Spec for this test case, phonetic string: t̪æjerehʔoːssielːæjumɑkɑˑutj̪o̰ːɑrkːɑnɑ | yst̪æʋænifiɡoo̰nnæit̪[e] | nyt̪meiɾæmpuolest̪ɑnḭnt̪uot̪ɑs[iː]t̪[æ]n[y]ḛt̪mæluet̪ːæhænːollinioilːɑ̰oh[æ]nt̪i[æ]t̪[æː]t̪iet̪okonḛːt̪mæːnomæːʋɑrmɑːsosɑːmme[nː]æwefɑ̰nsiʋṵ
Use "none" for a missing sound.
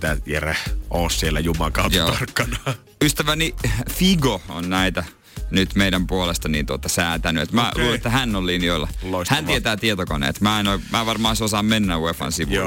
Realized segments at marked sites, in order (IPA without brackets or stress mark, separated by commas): æ, æː, æ, y, æ, e, æː, nː